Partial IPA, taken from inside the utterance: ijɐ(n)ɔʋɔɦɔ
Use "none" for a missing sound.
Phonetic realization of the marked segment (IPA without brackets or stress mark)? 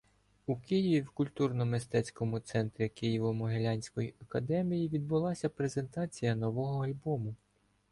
n